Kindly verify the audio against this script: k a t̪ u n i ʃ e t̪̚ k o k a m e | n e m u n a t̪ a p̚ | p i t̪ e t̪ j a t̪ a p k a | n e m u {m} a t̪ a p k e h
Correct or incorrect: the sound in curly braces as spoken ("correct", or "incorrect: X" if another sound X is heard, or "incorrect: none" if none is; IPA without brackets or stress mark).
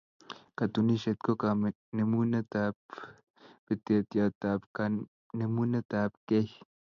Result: incorrect: n